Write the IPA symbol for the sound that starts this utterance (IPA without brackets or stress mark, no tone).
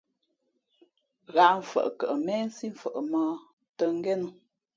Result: ɣ